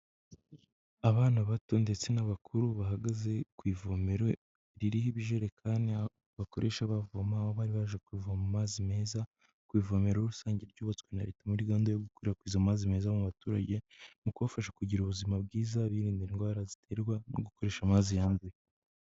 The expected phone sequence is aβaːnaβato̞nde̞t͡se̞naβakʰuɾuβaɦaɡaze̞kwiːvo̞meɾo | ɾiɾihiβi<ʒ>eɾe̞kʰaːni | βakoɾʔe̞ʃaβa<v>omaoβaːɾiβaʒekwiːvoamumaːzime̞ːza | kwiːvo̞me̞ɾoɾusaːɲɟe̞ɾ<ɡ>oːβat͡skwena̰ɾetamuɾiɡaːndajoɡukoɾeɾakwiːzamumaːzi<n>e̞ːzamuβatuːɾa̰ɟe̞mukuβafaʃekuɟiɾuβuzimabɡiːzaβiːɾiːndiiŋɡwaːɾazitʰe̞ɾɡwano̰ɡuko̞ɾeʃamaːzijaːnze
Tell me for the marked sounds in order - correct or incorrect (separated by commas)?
correct, correct, incorrect, incorrect